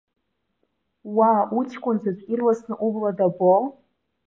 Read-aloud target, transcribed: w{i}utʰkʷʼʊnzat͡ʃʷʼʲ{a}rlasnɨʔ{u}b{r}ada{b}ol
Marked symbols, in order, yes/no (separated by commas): no, no, yes, no, yes